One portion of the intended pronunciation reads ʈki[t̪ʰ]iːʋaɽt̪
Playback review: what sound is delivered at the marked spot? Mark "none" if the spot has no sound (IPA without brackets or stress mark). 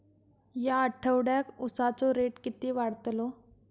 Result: t̪